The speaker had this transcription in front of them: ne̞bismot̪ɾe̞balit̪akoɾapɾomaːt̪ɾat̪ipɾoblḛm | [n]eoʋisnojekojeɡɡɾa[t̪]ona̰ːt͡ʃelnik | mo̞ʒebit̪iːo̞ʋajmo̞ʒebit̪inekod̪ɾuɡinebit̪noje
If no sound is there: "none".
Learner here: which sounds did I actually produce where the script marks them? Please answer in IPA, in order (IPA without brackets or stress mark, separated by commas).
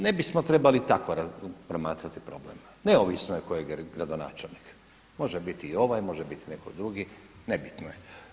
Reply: n, d̪